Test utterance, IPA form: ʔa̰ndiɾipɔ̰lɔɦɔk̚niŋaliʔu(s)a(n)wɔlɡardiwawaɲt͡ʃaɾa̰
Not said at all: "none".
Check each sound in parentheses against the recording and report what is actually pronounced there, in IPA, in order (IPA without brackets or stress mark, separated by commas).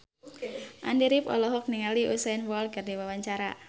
s, n